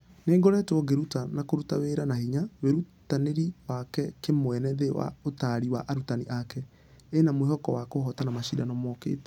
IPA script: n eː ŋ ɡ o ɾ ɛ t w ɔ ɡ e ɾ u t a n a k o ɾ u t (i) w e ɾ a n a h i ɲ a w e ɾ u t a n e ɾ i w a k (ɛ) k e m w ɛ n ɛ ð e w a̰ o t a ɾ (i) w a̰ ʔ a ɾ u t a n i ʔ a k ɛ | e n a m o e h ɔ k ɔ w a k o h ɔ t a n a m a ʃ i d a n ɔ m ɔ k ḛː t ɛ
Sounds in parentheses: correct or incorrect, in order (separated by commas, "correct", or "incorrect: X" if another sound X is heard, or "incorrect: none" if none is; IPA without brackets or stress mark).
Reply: incorrect: a, correct, correct